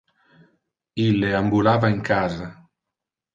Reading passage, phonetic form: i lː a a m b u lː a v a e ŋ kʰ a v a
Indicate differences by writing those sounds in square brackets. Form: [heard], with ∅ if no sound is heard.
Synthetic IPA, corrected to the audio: i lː [e] a m b u [l] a v a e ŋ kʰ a [z] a